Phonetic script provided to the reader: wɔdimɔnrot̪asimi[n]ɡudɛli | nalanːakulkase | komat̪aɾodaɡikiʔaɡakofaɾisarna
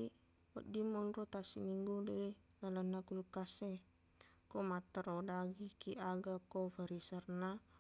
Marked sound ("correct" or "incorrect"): incorrect